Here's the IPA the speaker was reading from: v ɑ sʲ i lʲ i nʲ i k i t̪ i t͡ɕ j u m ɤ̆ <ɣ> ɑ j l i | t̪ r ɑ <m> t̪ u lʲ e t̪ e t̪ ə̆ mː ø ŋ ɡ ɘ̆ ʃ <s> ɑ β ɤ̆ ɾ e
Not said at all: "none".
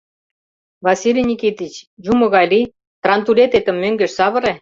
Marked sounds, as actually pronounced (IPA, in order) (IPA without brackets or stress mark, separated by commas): ɣ, n, s